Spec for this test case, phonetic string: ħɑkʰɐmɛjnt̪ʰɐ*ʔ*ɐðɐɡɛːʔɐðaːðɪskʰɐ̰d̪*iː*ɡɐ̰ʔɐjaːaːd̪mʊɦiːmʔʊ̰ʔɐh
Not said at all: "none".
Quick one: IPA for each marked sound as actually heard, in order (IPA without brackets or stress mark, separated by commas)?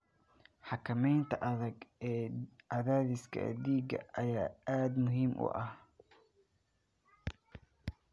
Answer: ʔ, iː